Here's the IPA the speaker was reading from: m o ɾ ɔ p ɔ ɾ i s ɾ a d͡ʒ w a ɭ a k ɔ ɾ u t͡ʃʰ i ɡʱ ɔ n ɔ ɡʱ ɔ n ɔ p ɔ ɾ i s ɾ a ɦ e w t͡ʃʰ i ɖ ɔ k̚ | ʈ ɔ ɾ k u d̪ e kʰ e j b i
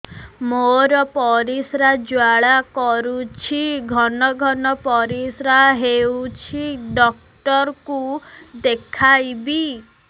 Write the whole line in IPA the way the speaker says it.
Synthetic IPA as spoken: m o ɾ ɔ p ɔ ɾ i s ɾ a d͡ʒ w a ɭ a k ɔ ɾ u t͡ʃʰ i ɡʱ ɔ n ɔ ɡʱ ɔ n ɔ p ɔ ɾ i s ɾ a ɦ e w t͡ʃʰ i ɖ ɔ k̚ | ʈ ɔ ɾ k u d̪ e kʰ a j b i